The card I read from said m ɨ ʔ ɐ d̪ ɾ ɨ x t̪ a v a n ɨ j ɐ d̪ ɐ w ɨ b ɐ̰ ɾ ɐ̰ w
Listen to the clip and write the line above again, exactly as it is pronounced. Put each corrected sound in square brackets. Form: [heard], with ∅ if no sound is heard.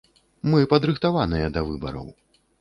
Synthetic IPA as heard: m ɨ [p] ɐ d̪ ɾ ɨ x t̪ a v a n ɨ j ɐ d̪ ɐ [v] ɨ b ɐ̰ ɾ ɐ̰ w